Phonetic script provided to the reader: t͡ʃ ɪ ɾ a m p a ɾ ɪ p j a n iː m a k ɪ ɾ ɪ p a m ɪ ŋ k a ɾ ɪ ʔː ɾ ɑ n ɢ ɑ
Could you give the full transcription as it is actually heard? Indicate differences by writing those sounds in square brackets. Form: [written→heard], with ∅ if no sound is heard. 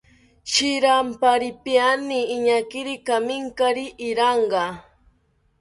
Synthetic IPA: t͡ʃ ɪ ɾ a m p a ɾ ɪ p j a n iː [m→ɲ] a k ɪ ɾ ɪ [p→k] a m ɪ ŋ k a ɾ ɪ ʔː ɾ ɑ [n→ɴ] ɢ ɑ